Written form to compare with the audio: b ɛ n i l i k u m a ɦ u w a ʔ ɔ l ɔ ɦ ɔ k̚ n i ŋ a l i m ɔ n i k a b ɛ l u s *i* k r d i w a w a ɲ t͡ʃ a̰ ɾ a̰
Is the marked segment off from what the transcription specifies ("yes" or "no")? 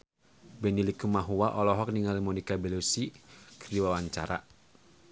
no